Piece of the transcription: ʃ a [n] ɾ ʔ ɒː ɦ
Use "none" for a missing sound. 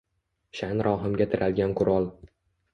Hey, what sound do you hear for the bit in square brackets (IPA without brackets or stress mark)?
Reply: n